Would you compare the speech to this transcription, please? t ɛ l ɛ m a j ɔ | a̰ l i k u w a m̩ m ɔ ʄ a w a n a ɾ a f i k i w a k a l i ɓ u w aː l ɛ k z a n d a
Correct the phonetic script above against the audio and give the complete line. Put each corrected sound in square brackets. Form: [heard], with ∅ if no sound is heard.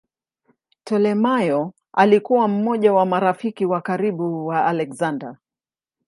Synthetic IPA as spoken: t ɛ l ɛ m a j ɔ | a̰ l i k u w a m̩ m ɔ ʄ a w a [m] a ɾ a f i k i w a k a [ɾ] i ɓ u w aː l ɛ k z a n d a